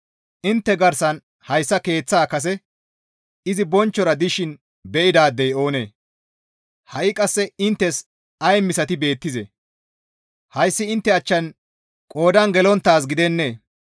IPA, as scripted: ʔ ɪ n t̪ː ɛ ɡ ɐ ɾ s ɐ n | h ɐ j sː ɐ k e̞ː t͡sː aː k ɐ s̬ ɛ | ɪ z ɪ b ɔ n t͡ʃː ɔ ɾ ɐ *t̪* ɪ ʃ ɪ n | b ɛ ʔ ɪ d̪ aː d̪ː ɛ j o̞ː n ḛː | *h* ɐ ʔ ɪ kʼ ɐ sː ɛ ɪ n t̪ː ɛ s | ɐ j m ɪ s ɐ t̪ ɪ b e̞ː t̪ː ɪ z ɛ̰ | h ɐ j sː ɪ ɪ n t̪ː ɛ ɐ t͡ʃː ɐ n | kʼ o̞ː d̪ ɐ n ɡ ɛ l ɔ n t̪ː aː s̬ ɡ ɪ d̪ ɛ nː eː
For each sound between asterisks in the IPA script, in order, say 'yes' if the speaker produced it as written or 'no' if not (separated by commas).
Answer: no, yes